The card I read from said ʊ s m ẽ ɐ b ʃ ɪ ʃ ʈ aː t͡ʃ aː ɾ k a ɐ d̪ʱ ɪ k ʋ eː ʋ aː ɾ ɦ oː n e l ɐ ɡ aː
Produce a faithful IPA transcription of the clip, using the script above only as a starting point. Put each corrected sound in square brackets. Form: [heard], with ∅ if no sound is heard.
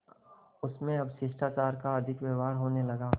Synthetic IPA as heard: ʊ s m ẽ ɐ b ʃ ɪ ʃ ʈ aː t͡ʃ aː ɾ k a ɐ d̪ʱ ɪ k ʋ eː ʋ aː ɾ ɦ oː n e l ɐ ɡ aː